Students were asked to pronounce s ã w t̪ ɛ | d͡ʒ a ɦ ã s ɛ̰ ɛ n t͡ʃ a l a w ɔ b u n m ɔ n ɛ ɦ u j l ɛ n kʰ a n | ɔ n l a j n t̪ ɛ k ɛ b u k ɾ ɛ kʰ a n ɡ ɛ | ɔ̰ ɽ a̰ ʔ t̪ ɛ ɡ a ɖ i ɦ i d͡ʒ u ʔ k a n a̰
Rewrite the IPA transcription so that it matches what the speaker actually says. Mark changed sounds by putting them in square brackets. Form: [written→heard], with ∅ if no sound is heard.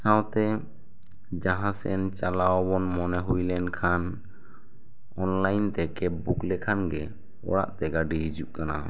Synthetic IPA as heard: s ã w t̪ ɛ | d͡ʒ a ɦ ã s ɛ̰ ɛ n t͡ʃ a l a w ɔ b [u→ɔ] n m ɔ n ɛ ɦ u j l ɛ n kʰ a n | ɔ n l a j n t̪ ɛ k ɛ b u k [ɾ→l] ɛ kʰ a n ɡ ɛ | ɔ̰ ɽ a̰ ʔ t̪ ɛ ɡ a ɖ i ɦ i d͡ʒ u ʔ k a n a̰